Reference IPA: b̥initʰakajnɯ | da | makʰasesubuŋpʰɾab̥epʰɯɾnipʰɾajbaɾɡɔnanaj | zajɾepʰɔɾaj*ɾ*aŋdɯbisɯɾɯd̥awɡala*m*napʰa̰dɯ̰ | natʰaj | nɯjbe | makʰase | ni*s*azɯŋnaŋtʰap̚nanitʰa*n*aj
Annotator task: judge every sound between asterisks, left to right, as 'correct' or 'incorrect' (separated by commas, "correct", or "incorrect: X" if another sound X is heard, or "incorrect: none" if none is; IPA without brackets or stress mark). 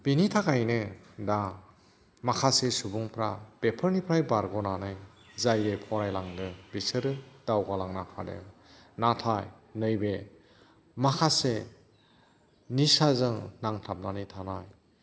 incorrect: l, incorrect: ŋ, correct, correct